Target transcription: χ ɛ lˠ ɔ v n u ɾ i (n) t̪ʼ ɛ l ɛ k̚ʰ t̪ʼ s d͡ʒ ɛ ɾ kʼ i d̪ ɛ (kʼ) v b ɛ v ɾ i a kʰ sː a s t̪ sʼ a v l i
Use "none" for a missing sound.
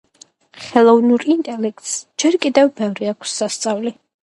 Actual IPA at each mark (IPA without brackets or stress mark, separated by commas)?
n, none